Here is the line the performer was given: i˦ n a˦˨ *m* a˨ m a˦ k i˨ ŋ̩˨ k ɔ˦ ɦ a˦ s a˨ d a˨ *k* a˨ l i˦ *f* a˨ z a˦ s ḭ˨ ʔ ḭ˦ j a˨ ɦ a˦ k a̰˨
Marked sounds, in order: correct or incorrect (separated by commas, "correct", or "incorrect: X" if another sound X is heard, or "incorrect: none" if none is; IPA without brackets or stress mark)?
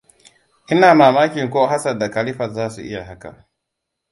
correct, correct, correct